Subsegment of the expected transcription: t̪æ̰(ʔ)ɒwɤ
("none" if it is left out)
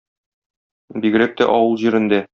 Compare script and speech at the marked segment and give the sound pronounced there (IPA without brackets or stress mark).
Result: ʔ